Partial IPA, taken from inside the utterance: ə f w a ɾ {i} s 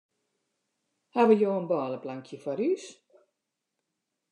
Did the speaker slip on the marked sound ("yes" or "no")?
yes